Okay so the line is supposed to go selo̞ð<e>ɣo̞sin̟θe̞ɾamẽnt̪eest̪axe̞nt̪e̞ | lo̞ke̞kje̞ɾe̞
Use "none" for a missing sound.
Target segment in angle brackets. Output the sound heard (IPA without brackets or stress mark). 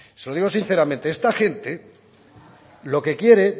i